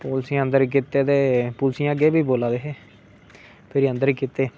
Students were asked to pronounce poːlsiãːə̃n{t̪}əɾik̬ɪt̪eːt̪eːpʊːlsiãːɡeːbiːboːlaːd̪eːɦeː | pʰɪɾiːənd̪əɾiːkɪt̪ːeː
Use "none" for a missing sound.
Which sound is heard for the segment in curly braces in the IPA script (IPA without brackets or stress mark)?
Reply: d̪